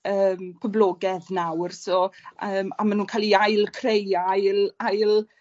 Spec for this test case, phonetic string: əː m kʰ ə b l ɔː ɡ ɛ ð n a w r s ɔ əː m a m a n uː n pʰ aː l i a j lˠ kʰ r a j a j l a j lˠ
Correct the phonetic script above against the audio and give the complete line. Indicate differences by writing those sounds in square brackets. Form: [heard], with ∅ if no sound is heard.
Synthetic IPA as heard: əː m [pʰ] ə b l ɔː ɡ ɛ ð n a w r s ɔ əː m a m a n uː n [kʰ] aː l i a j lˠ kʰ r [e] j a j l a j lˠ